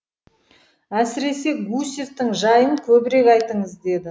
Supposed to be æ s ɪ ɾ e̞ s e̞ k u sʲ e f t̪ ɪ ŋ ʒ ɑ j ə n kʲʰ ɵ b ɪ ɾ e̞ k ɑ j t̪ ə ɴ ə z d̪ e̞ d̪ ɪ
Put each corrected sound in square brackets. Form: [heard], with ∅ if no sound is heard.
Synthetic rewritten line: æ s ɪ ɾ e̞ s e̞ [ɡ] u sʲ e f t̪ ɪ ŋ ʒ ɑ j ə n kʲʰ ɵ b ɪ ɾ e̞ k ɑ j t̪ ə ɴ ə z d̪ e̞ d̪ ɪ

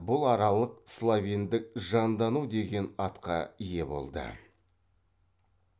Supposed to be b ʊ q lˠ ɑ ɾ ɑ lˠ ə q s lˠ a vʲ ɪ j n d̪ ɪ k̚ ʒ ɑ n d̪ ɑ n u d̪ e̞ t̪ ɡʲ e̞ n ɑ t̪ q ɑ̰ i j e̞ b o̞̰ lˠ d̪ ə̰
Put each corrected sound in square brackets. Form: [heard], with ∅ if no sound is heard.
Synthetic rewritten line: b ʊ [∅] lˠ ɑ ɾ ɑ lˠ ə q s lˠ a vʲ [i] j n d̪ ɪ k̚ ʒ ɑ n d̪ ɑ n u d̪ e̞ [∅] ɡʲ e̞ n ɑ t̪ q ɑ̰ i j e̞ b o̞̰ lˠ d̪ ə̰

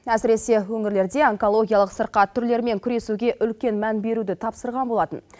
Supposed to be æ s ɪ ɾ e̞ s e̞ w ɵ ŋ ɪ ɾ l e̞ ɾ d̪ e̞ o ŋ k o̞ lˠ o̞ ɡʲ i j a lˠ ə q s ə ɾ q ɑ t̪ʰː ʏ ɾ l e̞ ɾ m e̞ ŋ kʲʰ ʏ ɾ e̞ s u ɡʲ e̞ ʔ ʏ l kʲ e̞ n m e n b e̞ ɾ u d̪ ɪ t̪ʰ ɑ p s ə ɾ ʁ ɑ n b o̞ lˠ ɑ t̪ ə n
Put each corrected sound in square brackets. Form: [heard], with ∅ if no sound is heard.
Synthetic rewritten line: æ s ɪ ɾ e̞ s e̞ w ɵ ŋ ɪ ɾ l e̞ ɾ d̪ e̞ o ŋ k o̞ lˠ o̞ ɡʲ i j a lˠ ə q s ə ɾ q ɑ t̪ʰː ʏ ɾ l e̞ ɾ m e̞ ŋ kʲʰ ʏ ɾ e̞ s u ɡʲ e̞ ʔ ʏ l kʲ e̞ n m [æ] n b e̞ ɾ u d̪ ɪ t̪ʰ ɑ p s ə ɾ ʁ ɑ n b o̞ lˠ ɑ t̪ ə n

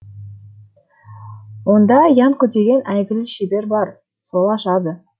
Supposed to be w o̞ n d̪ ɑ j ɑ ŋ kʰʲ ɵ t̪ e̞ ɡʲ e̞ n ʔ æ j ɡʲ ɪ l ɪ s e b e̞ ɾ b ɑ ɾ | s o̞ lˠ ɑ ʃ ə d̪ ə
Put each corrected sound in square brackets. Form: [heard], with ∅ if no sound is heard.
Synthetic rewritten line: w o̞ n d̪ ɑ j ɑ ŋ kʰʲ ɵ t̪ e̞ ɡʲ e̞ n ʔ æ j ɡʲ ɪ l ɪ [ʃ] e b e̞ ɾ b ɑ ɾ | s o̞ lˠ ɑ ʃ [ɑ] d̪ ə

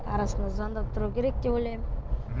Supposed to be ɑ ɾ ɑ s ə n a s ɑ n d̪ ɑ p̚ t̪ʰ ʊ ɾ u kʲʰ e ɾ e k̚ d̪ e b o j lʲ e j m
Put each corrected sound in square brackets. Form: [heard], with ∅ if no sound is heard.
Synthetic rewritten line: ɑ ɾ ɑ s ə n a [z] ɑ n d̪ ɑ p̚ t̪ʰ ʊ ɾ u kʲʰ e ɾ e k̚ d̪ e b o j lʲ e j m

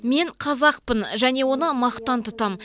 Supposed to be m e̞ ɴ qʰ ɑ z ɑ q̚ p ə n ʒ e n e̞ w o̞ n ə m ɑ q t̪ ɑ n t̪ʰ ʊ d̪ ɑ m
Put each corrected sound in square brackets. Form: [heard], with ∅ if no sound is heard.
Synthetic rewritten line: m e̞ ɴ qʰ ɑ z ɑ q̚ p ə n ʒ [æ] n e̞ w o̞ n ə m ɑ q t̪ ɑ n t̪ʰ ʊ [t̪] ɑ m

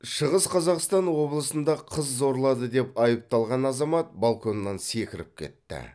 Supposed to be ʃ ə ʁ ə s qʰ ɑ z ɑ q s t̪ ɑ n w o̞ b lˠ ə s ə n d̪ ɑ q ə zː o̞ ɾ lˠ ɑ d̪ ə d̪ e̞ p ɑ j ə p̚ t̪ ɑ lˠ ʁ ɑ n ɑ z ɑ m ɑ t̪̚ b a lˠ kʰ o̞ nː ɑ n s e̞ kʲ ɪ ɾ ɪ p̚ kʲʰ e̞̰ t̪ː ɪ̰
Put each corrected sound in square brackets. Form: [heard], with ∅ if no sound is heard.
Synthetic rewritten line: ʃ ə ʁ ə s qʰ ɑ z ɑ q s t̪ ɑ n w o̞ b lˠ ə s ə n d̪ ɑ [qʰ] ə zː o̞ ɾ lˠ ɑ d̪ ə d̪ e̞ p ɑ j ə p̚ t̪ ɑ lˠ ʁ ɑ n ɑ z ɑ m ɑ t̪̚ b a lˠ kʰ o̞ nː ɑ n s e̞ kʲ ɪ ɾ ɪ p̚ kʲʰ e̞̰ t̪ː ɪ̰

